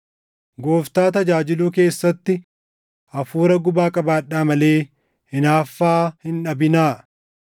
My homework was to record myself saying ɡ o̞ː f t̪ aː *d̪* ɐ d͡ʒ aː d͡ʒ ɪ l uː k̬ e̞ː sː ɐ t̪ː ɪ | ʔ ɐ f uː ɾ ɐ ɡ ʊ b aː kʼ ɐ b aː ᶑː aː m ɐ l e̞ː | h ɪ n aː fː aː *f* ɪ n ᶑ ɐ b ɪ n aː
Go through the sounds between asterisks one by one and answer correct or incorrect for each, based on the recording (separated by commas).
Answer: incorrect, incorrect